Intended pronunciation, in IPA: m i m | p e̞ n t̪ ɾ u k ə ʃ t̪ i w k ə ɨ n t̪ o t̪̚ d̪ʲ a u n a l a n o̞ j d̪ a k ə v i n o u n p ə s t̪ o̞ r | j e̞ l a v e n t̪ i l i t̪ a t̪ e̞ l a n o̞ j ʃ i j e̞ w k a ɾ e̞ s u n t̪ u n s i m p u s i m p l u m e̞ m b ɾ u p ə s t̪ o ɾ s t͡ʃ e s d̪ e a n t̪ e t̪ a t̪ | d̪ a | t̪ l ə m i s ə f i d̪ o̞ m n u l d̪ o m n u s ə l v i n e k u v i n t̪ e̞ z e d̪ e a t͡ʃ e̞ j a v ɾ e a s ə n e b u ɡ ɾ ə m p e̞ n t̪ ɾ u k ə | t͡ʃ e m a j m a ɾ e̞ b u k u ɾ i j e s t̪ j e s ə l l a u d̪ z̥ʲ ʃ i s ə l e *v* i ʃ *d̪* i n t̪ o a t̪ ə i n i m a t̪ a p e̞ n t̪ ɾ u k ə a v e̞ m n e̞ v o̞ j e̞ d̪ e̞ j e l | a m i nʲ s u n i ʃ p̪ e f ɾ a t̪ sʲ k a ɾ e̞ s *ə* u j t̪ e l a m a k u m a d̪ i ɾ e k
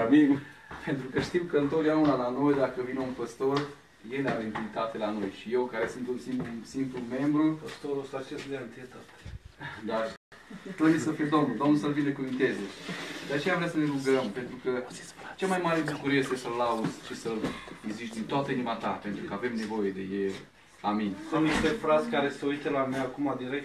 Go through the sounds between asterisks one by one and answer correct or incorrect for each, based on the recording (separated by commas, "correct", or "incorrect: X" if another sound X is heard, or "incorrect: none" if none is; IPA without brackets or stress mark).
incorrect: z, correct, correct